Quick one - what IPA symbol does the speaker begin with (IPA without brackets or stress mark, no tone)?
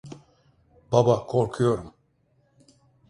b